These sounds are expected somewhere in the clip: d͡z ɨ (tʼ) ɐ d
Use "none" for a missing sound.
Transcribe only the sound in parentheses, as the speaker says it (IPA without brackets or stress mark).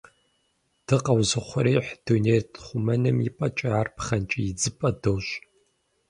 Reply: pʼ